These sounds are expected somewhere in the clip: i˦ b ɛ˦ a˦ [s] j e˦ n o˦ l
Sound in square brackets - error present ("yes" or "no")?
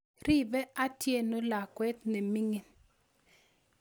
yes